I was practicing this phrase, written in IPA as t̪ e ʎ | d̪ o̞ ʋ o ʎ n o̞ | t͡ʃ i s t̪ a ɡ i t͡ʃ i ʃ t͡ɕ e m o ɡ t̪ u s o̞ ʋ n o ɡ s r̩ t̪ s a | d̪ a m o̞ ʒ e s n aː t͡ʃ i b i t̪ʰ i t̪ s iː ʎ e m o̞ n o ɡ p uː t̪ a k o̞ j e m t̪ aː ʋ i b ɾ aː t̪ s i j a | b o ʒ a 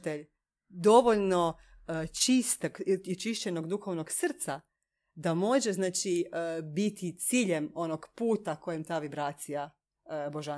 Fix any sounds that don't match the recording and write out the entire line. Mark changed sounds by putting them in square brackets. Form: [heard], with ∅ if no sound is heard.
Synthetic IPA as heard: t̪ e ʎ | d̪ o̞ ʋ o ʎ n o̞ | t͡ʃ i s t̪ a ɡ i t͡ʃ i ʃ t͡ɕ e [n] o ɡ [d̪] u [x] o̞ ʋ n o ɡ s r̩ t̪ s a | d̪ a m o̞ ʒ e [z] n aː t͡ʃ i b i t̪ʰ i t̪ s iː ʎ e m o̞ n o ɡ p uː t̪ a k o̞ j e m t̪ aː ʋ i b ɾ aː t̪ s i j a | b o ʒ a